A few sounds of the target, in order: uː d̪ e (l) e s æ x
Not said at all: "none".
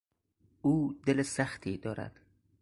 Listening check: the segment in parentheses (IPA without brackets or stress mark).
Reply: l